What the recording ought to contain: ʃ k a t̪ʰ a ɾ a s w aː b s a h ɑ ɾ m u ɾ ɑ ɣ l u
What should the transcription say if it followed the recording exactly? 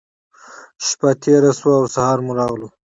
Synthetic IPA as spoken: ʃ p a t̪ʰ e ɾ a s w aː w s a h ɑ ɾ m u ɾ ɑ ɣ l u